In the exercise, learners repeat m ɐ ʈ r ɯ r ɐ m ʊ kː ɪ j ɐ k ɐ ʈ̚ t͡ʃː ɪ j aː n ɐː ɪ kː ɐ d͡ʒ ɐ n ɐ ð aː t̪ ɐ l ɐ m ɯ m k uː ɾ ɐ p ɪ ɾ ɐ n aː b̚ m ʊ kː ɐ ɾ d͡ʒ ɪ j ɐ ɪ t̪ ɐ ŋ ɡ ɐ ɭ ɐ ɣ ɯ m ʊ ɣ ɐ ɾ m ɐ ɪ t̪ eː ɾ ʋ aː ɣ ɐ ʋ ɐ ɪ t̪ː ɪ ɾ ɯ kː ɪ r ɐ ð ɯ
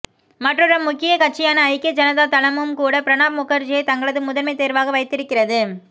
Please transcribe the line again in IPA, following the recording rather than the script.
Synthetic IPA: m ɐ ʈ r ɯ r ɐ m ʊ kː ɪ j ɐ k ɐ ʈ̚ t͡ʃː ɪ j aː n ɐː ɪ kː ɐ d͡ʒ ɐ n ɐ ð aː t̪ ɐ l ɐ m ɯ m k uː ɽ ɐ p ɪ ɾ ɐ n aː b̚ m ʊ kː ɐ ɾ d͡ʒ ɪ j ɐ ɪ t̪ ɐ ŋ ɡ ɐ ɭ ɐ ð ɯ m ʊ ð ɐ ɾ m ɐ ɪ t̪ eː ɾ ʋ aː ɣ ɐ ʋ ɐ ɪ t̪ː ɪ ɾ ɯ kː ɪ r ɐ ð ɯ